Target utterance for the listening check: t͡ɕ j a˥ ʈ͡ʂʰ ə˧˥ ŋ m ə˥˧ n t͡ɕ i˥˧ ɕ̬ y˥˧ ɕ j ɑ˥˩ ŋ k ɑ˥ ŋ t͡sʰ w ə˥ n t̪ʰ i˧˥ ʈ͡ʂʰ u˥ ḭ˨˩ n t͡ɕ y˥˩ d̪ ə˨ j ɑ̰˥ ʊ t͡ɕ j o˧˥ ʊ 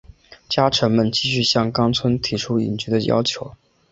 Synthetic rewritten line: t͡ɕ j a˥ ʈ͡ʂʰ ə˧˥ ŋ m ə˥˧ n t͡ɕ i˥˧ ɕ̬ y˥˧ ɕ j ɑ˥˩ ŋ k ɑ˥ ŋ t͡sʰ w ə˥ n t̪ʰ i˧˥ ʈ͡ʂʰ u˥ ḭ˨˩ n t͡ɕ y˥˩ d̪ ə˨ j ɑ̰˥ ʊ t͡ɕʰ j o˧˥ ʊ